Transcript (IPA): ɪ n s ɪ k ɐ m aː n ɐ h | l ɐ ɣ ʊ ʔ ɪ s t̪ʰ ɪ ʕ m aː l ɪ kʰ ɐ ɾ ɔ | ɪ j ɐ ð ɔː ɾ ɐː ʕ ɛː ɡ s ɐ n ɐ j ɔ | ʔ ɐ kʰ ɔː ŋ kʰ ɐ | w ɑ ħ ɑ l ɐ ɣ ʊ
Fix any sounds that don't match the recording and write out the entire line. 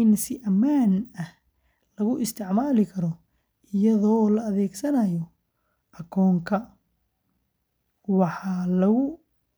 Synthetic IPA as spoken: ɪ n s ɪ ʔ ɐ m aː n ɐ h | l ɐ ɣ ʊ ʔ ɪ s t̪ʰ ɪ ʕ m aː l ɪ kʰ ɐ ɾ ɔ | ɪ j ɐ ð ɔː l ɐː ð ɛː ɡ s ɐ n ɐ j ɔ | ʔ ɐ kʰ ɔː ŋ kʰ ɐ | w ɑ ħ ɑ l ɐ ɣ ʊ